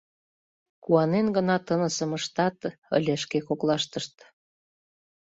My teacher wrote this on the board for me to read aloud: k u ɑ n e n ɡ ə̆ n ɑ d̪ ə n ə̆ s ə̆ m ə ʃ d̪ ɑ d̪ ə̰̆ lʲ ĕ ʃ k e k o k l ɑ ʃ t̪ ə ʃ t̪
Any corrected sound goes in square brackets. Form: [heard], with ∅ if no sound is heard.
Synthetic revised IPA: k u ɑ n e n ɡ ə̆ n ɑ [t̪] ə n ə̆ s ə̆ m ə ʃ [t̪] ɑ [t̪] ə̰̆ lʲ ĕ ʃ k e k o k l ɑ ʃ t̪ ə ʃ t̪